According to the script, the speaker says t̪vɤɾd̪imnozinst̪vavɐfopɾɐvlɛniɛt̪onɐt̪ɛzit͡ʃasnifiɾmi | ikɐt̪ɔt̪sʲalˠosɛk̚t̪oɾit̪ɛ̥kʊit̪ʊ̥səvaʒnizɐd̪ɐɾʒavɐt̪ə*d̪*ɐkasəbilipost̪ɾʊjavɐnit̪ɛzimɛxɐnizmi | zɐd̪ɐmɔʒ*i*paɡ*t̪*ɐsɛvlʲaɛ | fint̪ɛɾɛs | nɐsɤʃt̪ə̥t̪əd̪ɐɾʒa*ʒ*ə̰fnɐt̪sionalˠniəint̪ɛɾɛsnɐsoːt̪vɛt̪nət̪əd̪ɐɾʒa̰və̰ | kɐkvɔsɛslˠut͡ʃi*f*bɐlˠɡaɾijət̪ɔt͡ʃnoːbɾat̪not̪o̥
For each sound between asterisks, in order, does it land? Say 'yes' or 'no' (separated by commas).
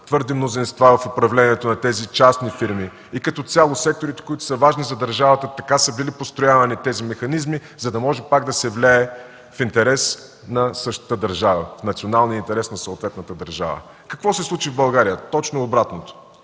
no, no, no, no, no